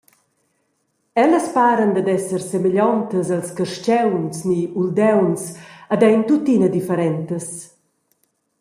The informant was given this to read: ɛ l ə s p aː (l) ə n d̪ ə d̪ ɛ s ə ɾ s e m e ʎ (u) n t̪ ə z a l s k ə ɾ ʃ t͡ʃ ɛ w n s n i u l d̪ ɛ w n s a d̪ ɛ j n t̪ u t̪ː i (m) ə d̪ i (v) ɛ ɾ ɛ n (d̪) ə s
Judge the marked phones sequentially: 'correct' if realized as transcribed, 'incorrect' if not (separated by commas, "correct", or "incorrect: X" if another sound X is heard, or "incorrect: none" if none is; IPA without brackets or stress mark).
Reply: incorrect: ɾ, incorrect: ɔ, incorrect: n, incorrect: f, incorrect: t̪